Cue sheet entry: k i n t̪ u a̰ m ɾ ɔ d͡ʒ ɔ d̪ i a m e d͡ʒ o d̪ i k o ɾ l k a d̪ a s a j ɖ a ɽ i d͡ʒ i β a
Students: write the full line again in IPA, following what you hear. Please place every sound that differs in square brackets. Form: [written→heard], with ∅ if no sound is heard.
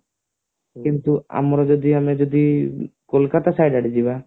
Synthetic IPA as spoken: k i n t̪ u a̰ m ɾ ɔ d͡ʒ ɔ d̪ i a m e d͡ʒ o d̪ i k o [ɾ→∅] l k a [d̪→t̪] a s a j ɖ a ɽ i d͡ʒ i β a